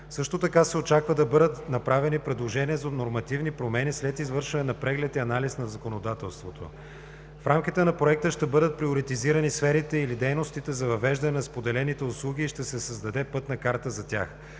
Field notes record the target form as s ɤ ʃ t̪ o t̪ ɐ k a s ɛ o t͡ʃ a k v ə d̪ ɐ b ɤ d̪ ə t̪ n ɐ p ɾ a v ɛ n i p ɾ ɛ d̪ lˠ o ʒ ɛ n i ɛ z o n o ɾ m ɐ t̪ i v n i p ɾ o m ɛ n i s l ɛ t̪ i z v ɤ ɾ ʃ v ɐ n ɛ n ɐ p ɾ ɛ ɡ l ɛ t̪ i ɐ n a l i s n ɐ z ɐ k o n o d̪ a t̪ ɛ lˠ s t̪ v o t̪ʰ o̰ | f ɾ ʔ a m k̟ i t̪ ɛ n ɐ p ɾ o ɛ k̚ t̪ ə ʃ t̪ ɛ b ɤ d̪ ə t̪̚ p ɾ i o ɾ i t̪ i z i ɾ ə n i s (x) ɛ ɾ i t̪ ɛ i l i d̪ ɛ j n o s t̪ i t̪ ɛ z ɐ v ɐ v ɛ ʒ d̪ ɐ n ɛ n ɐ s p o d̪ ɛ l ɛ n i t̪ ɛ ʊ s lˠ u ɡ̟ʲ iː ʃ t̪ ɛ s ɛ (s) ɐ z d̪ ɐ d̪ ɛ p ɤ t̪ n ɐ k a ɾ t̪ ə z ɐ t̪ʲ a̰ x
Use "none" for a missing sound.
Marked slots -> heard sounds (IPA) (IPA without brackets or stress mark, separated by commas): f, s